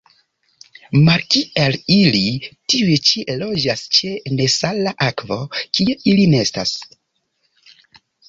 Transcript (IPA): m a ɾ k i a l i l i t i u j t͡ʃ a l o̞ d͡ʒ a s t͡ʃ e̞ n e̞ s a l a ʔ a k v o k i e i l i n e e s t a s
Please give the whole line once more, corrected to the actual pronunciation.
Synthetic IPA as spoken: m a ɾ k i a l i l i t i u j t͡ʃ i l o̞ d͡ʒ a s t͡ʃ e̞ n e̞ s a l a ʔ a k v o k i e i l i n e e s t a s